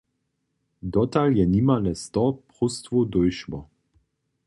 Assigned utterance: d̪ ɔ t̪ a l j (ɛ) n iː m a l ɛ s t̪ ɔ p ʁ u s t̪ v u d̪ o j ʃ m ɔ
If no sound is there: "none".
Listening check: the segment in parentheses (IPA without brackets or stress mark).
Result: ɛ